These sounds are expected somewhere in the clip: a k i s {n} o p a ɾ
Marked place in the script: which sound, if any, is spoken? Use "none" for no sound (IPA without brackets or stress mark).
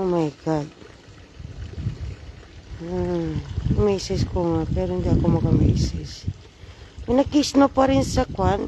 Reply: n